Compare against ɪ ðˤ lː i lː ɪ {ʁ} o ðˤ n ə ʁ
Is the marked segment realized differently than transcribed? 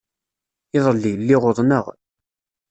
no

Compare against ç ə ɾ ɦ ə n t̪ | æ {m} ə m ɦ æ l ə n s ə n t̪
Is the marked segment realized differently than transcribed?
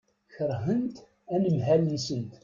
yes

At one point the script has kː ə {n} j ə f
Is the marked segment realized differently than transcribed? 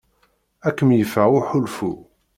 yes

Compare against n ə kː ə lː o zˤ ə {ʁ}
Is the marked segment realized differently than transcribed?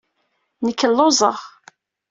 no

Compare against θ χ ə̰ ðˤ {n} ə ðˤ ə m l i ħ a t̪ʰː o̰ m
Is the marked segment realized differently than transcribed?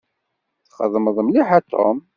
yes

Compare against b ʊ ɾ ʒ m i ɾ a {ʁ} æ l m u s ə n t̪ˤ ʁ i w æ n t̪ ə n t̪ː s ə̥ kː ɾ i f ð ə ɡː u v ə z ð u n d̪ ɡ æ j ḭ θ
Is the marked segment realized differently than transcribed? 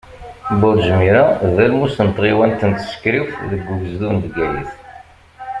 yes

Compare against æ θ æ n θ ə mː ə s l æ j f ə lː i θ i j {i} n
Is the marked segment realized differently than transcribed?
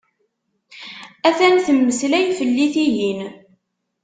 no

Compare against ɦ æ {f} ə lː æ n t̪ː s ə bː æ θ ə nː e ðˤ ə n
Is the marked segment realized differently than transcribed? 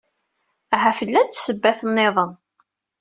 no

